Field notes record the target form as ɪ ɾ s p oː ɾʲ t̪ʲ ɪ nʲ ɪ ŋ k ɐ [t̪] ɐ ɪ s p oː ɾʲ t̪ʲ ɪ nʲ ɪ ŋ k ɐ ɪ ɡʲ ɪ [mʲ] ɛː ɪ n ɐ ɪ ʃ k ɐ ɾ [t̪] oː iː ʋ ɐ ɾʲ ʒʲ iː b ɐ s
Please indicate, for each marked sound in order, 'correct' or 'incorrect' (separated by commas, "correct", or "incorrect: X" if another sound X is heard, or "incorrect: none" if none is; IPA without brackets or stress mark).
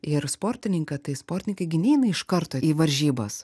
correct, incorrect: nʲ, correct